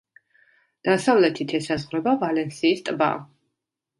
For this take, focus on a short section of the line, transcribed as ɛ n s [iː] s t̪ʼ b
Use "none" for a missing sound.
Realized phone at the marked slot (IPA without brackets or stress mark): iː